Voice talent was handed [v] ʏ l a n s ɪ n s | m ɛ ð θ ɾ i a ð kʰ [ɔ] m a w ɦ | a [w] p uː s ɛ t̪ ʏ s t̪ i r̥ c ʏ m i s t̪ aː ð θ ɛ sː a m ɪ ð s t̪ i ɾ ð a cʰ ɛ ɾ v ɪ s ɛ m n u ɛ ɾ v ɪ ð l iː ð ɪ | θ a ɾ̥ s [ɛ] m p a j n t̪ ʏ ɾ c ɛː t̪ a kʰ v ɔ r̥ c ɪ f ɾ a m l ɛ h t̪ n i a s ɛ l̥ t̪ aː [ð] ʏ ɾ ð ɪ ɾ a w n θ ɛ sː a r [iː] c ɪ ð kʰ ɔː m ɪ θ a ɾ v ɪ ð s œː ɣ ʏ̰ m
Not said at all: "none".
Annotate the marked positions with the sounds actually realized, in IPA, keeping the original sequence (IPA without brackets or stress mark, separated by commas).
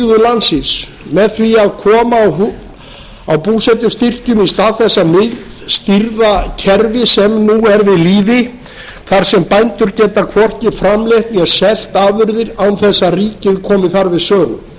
ð, ɔː, w, ɛ, v, iː